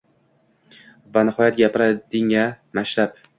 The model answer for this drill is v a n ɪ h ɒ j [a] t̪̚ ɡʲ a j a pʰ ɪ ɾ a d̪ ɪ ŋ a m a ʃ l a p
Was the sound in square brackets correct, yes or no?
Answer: yes